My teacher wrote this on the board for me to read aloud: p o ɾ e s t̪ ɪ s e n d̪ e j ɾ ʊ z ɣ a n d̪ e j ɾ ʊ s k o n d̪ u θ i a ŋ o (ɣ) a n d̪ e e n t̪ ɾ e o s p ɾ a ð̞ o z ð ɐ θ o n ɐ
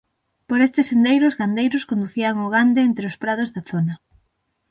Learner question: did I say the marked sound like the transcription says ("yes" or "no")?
yes